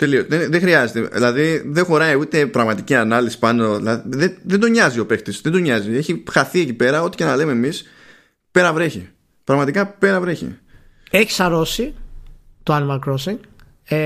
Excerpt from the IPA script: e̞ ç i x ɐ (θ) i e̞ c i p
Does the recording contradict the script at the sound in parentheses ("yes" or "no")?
no